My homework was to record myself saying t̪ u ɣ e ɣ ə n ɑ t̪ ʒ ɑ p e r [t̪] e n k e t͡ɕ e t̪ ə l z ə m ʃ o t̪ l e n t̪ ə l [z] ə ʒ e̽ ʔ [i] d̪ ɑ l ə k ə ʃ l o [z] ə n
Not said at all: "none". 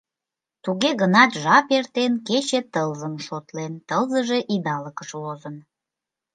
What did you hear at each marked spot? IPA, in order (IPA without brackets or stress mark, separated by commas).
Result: t̪, z, i, z